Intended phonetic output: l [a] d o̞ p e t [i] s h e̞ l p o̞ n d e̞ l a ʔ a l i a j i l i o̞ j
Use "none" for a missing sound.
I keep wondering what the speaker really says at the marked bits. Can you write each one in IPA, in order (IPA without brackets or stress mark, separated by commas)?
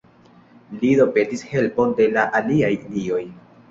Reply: i, i